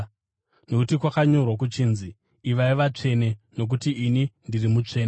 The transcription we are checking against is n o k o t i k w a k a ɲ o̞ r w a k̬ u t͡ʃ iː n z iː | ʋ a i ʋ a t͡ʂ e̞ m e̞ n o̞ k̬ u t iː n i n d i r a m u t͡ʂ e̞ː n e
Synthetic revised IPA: n o k u t i k w a k a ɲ o̞ r w a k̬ u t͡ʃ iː n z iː | ʋ a i ʋ a t͡ʂ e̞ n e̞ n o̞ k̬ u t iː n i n d i r i m u t͡ʂ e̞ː n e

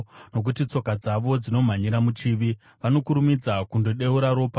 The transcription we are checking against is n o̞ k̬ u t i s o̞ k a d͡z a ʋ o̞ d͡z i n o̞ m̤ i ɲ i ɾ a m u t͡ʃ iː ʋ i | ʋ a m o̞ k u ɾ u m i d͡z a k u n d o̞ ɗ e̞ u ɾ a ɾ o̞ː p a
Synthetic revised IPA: n o̞ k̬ u t i t͡s o̞ k a d͡z a ʋ o̞ d͡z i n o̞ m̤ a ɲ i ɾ a m u t͡ʃ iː ʋ i | ʋ a n o̞ k u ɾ u m i d͡z a k u n d o̞ ɗ e̞ u ɾ a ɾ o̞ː p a

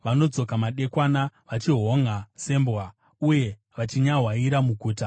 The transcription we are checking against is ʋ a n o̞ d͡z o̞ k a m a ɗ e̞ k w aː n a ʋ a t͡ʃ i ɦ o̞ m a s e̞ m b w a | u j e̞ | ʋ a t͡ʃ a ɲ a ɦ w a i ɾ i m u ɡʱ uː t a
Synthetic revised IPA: ʋ a n o̞ d͡z o̞ k a m a ɗ e̞ k w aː n a ʋ a t͡ʃ i ɦ o̞ ŋ a s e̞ m b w a | u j e̞ | ʋ a t͡ʃ i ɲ a ɦ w a i ɾ a m u ɡʱ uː t a

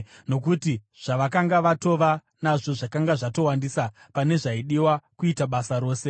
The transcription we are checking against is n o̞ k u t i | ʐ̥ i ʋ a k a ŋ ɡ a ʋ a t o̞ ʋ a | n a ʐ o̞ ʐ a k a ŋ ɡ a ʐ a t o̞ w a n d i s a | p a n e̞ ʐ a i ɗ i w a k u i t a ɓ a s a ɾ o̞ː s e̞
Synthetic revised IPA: n o̞ k u t i | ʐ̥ a ʋ a k a ŋ ɡ a ʋ a t o̞ ʋ a | n a ʐ o̞ ʐ a k a ŋ ɡ a ʐ a t o̞ w a n d i s a | p a n e̞ ʐ a i ɗ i w a k u i t a ɓ a s a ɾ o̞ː s e̞

